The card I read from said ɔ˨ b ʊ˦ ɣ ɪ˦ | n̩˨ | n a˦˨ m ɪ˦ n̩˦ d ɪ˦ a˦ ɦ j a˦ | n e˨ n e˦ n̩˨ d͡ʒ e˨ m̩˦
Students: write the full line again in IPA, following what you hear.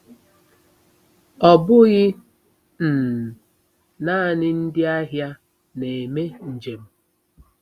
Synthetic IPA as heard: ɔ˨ b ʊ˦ ɣ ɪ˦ | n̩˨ | n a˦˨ n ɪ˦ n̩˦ d ɪ˦ a˦ ɦ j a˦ | n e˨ m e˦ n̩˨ d͡ʒ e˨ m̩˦